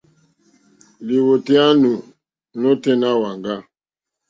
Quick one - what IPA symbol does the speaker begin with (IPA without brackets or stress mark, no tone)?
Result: l